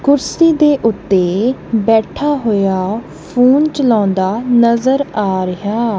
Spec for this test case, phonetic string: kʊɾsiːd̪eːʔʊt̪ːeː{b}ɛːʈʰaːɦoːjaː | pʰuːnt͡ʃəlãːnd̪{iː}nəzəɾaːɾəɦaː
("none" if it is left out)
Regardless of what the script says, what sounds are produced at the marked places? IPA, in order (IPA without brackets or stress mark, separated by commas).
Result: b, aː